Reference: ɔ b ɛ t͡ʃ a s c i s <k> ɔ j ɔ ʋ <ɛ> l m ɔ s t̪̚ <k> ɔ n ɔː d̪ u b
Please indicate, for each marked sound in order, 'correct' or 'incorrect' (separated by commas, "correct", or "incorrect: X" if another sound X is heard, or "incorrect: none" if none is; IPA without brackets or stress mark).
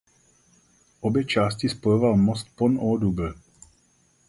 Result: incorrect: p, incorrect: a, incorrect: p